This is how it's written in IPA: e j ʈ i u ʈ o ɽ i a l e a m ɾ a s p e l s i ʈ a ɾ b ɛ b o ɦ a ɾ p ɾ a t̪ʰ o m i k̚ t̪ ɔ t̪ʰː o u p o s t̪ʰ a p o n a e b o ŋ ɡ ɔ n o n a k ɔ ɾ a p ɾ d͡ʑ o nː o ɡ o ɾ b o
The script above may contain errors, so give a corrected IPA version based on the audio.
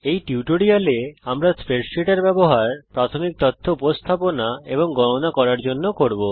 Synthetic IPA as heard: e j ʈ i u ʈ o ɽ i a l e a m ɾ a s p e ɾ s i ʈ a ɾ b ɛ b o ɦ a ɾ p ɾ a t̪ʰ o m i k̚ t̪ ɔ t̪ʰː o u p o s t̪ʰ a p o n a e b o ŋ ɡ ɔ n o n a k ɔ ɾ a ɾ d͡ʑ o nː o k o ɾ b o